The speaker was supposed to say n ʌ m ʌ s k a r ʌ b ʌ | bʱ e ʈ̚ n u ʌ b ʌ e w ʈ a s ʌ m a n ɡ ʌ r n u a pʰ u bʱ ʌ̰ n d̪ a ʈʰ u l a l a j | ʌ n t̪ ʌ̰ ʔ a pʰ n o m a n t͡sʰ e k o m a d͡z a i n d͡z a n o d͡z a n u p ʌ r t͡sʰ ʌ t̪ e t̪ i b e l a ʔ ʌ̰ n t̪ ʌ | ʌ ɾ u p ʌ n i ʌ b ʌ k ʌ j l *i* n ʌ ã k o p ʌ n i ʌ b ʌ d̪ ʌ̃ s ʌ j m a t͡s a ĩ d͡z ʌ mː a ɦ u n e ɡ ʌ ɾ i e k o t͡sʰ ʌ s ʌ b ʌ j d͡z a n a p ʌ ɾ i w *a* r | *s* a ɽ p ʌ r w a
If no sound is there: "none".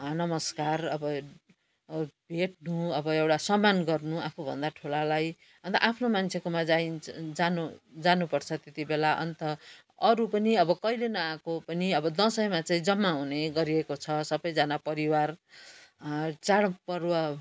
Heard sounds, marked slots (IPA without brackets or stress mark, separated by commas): e, a, t͡s